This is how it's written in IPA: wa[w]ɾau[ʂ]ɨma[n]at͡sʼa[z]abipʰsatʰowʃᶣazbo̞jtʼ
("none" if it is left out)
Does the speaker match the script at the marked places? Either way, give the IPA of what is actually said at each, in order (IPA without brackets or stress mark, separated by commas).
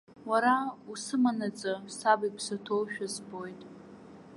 none, s, n, s